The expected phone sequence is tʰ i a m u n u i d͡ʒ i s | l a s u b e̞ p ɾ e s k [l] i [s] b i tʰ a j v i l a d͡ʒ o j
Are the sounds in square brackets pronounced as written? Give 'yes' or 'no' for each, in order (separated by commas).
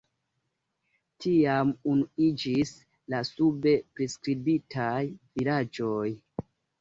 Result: no, no